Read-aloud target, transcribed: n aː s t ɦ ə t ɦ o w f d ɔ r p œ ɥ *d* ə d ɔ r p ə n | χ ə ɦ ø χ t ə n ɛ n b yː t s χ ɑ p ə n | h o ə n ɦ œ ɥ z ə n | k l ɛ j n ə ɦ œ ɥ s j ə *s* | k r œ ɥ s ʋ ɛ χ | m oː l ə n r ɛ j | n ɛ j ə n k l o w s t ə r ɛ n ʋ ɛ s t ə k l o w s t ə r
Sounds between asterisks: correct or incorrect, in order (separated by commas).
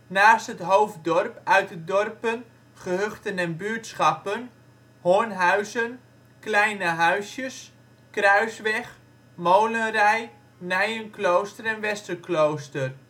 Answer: incorrect, correct